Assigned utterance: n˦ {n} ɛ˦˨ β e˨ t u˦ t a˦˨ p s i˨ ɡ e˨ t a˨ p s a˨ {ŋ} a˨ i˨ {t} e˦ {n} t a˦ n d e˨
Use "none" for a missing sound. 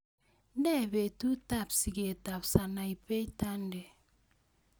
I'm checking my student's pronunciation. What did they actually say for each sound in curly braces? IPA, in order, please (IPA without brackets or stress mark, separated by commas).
d, n, p, none